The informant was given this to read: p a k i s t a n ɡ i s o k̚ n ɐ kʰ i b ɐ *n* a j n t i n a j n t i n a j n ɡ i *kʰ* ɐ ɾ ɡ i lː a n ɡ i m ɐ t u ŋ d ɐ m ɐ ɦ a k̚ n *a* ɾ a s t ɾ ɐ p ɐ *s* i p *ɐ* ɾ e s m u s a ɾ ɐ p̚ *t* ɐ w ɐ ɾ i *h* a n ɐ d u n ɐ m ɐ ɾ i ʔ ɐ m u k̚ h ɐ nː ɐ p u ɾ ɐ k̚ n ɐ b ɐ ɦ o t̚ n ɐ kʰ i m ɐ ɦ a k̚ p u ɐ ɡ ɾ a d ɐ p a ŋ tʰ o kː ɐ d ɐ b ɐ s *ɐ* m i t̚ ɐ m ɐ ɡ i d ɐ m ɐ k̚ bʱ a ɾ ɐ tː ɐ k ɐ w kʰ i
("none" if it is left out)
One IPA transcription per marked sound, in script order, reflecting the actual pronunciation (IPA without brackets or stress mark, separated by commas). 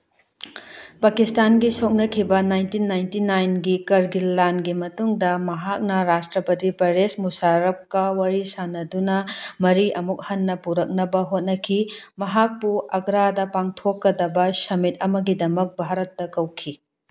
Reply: n, k, ɐ, t, ɐ, k, s, ɐ